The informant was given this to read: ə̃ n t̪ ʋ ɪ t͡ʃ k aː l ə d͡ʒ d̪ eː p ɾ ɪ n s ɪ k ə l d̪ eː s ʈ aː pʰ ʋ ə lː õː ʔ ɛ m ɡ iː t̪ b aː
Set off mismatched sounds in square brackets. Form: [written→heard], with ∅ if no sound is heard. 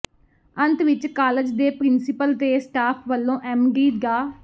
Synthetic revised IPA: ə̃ n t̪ ʋ ɪ t͡ʃ k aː l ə d͡ʒ d̪ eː p ɾ ɪ n s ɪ [k→p] ə l [d̪→t̪] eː s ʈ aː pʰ ʋ ə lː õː ʔ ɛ m ɡ iː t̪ [b→ɡ] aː

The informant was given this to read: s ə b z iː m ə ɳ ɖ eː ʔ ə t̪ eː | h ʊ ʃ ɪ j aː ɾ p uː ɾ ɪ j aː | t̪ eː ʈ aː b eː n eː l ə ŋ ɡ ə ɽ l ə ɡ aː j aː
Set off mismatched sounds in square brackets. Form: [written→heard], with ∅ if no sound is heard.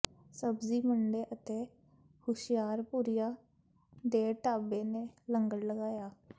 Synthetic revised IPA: s ə b z iː m ə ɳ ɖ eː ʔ ə t̪ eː | h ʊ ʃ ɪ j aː ɾ p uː ɾ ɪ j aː | [t̪→d̪] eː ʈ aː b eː n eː l ə ŋ ɡ ə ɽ l ə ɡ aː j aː

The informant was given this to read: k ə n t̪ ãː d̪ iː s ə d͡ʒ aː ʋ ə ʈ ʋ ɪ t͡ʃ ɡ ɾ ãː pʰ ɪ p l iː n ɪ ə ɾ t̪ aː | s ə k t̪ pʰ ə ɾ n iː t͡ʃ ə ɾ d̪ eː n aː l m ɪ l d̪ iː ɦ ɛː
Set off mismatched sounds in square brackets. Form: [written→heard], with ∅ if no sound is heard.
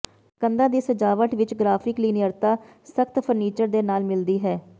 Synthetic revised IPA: k ə n [t̪→d̪] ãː d̪ iː s ə d͡ʒ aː ʋ ə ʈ ʋ ɪ t͡ʃ ɡ ɾ [ãː→aː] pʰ ɪ [p→k] l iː n ɪ ə ɾ t̪ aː | s ə k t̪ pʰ ə ɾ n iː t͡ʃ ə ɾ d̪ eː n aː l m ɪ l d̪ iː ɦ ɛː

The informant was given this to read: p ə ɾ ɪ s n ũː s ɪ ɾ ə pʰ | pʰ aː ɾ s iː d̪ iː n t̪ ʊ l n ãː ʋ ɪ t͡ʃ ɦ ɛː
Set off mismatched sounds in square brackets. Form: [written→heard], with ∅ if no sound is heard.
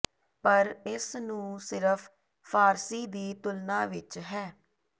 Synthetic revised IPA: p ə ɾ ɪ s n ũː s ɪ ɾ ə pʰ | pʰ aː ɾ s iː d̪ iː [n→∅] t̪ ʊ l n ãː ʋ ɪ t͡ʃ ɦ ɛː

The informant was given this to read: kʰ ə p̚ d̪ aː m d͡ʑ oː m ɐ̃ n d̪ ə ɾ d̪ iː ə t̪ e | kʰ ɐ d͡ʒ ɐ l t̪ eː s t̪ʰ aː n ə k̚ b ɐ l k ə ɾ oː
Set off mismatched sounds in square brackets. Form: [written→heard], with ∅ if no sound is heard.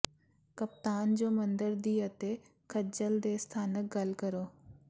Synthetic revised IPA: [kʰ→k] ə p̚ [d̪→t̪] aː [m→n] d͡ʑ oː m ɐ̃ n d̪ ə ɾ d̪ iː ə t̪ e | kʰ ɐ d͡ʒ [ɐ→ə] l [t̪→d̪] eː s t̪ʰ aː n ə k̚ [b→ɡ] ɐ l k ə ɾ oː

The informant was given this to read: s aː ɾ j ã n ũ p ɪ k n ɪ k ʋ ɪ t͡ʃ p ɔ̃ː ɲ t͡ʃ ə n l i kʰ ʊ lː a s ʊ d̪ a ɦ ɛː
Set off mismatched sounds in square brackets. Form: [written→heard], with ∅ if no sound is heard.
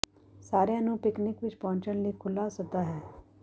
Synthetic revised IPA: s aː ɾ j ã n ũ p ɪ k n ɪ k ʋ ɪ t͡ʃ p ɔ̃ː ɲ t͡ʃ ə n l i kʰ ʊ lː a s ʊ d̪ a ɦ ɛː

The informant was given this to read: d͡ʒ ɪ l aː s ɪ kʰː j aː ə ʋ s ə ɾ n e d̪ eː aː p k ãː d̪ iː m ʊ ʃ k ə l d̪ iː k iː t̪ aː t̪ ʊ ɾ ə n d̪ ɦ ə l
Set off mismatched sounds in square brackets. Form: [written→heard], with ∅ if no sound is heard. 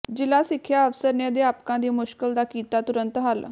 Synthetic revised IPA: d͡ʒ ɪ l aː s ɪ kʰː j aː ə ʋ s ə ɾ n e d̪ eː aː p k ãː d̪ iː m ʊ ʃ k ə l d̪ [iː→aː] k iː t̪ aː t̪ ʊ ɾ ə n [d̪→t̪] ɦ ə l

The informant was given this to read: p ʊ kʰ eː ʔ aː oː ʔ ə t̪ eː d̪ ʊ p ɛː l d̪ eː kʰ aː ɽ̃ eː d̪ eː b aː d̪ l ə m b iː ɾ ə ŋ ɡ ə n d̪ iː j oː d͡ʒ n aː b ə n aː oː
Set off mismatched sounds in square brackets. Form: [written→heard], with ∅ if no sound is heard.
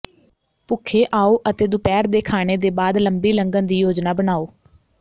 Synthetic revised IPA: p ʊ kʰ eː ʔ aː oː ʔ ə t̪ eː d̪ ʊ p ɛː [l→ɾ] d̪ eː kʰ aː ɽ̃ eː d̪ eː b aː d̪ l ə m b iː [ɾ→l] ə ŋ ɡ ə n d̪ iː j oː d͡ʒ n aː b ə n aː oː

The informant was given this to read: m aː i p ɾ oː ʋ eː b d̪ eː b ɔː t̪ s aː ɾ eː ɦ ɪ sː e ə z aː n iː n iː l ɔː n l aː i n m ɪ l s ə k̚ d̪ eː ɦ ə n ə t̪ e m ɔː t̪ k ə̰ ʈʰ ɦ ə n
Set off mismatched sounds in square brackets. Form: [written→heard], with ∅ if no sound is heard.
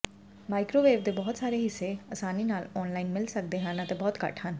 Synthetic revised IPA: m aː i [p→k] ɾ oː ʋ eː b d̪ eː b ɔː t̪ s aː ɾ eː ɦ ɪ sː e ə [z→s] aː n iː n [iː→aː] l ɔː n l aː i n m ɪ l s ə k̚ d̪ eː ɦ ə n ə t̪ e [m→b] ɔː t̪ k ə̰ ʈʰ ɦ ə n

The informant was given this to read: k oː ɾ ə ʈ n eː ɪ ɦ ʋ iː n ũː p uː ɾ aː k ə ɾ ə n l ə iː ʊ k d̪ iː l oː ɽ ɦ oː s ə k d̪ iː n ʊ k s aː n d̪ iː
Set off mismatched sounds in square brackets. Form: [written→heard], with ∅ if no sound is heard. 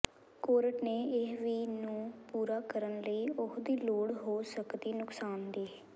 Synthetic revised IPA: k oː ɾ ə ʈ n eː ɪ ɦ ʋ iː n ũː p uː ɾ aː k ə ɾ ə n l ə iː ʊ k d̪ iː l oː ɽ ɦ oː s ə k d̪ iː n ʊ k s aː n d̪ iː

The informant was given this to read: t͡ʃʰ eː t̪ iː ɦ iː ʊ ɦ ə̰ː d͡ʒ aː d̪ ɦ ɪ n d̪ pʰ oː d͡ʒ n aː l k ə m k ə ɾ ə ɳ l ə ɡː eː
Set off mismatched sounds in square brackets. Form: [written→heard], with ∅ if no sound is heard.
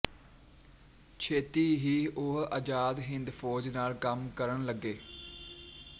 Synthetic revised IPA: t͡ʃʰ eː t̪ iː ɦ iː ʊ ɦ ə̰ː d͡ʒ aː d̪ ɦ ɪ n d̪ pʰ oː d͡ʒ n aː l k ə m k ə ɾ ə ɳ l ə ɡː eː

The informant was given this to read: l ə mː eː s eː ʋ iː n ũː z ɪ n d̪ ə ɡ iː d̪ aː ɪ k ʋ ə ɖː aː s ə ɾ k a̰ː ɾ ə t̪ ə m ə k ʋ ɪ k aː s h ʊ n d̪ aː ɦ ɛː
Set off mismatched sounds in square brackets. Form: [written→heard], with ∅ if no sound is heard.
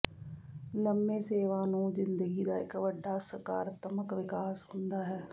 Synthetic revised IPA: l ə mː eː s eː ʋ [iː→aː] n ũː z ɪ n d̪ ə ɡ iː d̪ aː ɪ k ʋ ə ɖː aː s ə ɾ k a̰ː ɾ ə t̪ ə m ə k ʋ ɪ k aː s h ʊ n d̪ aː ɦ ɛː

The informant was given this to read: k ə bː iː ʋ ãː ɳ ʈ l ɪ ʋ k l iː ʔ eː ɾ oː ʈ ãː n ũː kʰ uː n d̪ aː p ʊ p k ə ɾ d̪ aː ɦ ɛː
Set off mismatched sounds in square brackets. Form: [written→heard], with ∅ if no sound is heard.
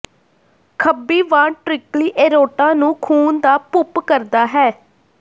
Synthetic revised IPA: [k→kʰ] ə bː iː ʋ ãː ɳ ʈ [l→ɾ] ɪ [ʋ→∅] k l iː ʔ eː ɾ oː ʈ ãː n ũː kʰ uː n d̪ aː p ʊ p k ə ɾ d̪ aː ɦ ɛː

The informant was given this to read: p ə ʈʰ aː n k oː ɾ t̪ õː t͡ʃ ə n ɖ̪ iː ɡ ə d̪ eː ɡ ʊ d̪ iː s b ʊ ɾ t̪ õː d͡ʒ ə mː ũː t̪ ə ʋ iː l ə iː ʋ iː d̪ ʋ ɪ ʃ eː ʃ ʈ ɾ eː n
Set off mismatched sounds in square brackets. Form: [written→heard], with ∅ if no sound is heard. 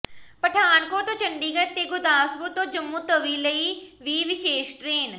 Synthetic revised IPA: p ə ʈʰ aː n k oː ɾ t̪ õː t͡ʃ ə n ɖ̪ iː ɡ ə [d̪→t̪] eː ɡ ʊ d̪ [iː→aː] s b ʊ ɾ t̪ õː d͡ʒ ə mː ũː t̪ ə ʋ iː l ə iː ʋ iː [d̪→∅] ʋ ɪ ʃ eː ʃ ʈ ɾ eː n

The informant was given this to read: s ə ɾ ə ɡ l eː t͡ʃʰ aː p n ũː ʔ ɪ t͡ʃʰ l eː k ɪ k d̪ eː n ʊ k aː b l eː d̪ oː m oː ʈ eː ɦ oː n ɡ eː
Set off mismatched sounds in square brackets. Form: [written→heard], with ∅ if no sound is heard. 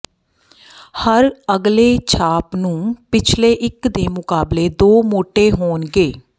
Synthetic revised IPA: [s→h] ə ɾ ə ɡ l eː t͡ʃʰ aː p n ũː [ʔ→p] ɪ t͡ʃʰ l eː [k→ʔ] ɪ k d̪ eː [n→m] ʊ k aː b l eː d̪ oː m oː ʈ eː ɦ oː n ɡ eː

